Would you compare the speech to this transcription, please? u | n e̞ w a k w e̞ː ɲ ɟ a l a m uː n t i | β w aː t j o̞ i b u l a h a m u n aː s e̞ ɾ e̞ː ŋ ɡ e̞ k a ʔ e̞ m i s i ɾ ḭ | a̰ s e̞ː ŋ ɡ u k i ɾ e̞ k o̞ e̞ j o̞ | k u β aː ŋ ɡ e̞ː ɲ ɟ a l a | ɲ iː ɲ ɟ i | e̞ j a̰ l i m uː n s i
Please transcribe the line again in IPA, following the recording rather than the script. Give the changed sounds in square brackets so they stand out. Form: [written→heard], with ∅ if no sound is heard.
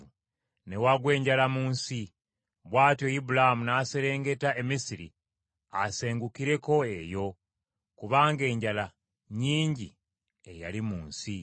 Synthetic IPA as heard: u | n e̞ w a [k→ɡ] w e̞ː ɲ ɟ a l a m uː n [t→s] i | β w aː t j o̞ i b u l a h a m u n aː s e̞ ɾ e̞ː ŋ ɡ e̞ [k→t] a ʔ e̞ m i s i ɾ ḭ | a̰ s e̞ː ŋ ɡ u k i ɾ e̞ k o̞ e̞ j o̞ | k u β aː ŋ ɡ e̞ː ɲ ɟ a l a | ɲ iː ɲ ɟ i | e̞ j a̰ l i m uː n s i